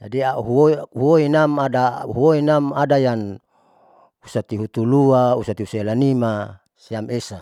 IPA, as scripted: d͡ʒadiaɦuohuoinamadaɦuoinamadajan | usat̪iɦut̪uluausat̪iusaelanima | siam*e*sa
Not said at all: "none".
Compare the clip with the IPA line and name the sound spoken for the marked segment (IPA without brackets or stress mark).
e